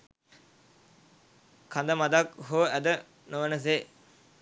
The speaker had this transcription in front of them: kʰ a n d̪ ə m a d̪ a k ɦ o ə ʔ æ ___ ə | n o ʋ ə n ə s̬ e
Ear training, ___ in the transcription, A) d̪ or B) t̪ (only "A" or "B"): A